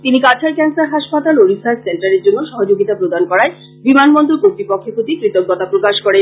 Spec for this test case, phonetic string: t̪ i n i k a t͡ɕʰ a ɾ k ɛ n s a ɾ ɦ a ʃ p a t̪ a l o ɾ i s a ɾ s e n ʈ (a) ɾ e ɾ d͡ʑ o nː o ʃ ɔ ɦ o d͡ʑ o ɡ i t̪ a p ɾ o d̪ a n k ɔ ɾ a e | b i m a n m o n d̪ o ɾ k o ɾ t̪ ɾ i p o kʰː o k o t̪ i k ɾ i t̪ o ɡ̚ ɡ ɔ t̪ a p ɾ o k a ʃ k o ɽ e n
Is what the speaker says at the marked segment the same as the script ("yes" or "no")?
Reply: yes